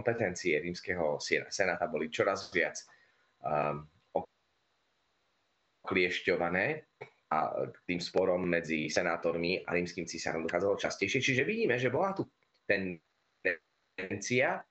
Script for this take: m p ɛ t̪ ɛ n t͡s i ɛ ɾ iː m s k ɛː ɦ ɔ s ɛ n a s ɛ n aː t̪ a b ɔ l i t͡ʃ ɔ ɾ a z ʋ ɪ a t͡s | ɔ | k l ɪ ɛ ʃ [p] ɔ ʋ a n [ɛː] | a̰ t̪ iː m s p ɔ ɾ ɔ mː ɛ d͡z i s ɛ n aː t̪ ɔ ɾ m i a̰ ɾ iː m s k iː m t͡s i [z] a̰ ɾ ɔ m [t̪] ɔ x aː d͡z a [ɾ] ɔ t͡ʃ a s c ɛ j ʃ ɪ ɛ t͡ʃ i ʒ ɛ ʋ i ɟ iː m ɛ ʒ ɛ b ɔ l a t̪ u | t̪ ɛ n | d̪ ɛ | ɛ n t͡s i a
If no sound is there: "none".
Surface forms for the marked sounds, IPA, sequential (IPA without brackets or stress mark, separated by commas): c, ɛː, s, d̪, l